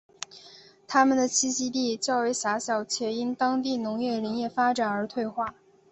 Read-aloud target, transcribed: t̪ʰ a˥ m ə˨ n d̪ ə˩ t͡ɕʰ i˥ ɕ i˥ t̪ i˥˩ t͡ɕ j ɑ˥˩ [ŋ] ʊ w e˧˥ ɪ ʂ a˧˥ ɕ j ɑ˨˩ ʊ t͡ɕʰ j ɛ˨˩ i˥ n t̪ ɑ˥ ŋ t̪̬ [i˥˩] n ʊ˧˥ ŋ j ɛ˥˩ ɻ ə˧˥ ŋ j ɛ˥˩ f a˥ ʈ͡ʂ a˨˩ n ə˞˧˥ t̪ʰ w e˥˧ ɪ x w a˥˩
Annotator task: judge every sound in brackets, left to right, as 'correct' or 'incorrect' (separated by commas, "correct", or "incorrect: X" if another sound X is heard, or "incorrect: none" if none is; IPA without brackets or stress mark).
incorrect: none, correct